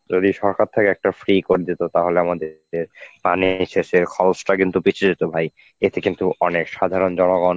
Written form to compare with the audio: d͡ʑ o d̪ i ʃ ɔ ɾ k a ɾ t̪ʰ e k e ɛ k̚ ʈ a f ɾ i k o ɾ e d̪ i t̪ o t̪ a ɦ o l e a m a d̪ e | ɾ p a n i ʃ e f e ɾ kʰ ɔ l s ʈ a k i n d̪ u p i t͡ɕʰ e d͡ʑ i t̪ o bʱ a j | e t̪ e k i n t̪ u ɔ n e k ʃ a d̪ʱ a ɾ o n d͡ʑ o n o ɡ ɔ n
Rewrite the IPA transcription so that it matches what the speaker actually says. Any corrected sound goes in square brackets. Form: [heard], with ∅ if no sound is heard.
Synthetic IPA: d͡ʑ o d̪ i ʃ ɔ ɾ k a ɾ t̪ʰ e k e ɛ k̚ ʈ a f ɾ i k o ɾ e d̪ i t̪ o t̪ a ɦ o l e a m a d̪ e | ɾ p a n i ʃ e [ʃ] e ɾ kʰ ɔ l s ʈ a k i n [t̪] u p i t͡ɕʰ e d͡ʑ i t̪ o bʱ a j | e t̪ e k i n t̪ u ɔ n e k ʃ a d̪ʱ a ɾ o n d͡ʑ [ɔ] n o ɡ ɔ n